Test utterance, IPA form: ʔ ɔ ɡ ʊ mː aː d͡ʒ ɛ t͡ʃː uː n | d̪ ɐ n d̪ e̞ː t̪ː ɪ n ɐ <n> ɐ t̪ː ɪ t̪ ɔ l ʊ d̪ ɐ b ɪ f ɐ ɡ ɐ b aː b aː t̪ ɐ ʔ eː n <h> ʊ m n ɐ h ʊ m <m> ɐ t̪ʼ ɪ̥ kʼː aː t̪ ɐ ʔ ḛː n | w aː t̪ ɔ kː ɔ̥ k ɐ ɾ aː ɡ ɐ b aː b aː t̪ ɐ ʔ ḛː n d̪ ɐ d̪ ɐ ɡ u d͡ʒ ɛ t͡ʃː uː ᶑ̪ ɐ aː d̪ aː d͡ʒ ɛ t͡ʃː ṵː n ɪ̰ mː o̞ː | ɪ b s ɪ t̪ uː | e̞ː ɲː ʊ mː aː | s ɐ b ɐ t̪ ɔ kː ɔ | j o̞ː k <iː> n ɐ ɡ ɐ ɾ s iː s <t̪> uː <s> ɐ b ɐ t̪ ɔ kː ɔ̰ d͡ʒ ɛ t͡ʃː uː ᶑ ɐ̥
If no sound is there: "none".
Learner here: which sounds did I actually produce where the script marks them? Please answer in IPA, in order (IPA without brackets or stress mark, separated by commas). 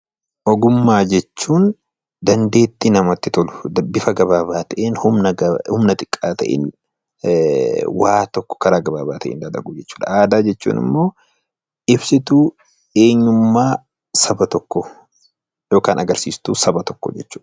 m, h, n, aː, t̪, s